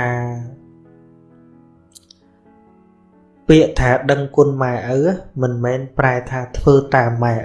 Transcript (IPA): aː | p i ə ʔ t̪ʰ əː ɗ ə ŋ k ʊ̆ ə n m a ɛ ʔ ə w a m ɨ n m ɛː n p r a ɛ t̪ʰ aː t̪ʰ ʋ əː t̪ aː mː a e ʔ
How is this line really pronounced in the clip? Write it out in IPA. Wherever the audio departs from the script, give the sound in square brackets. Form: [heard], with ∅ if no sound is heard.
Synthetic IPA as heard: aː | p i ə ʔ t̪ʰ [aː] ɗ ə ŋ k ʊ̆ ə n m a ɛ ʔ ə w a m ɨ n m ɛː n p r a ɛ t̪ʰ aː t̪ʰ ʋ əː t̪ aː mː a [ɛ] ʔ